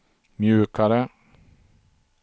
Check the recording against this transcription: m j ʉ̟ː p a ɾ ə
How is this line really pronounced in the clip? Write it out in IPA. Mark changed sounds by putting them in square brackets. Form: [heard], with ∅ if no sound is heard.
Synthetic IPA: m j ʉ̟ː [k] a ɾ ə